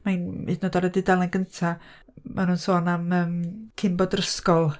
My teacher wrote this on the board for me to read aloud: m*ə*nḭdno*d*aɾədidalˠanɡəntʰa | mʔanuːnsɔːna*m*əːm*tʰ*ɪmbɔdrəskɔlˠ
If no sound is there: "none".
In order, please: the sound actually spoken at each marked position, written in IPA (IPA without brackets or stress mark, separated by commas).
a, d, m, kʰ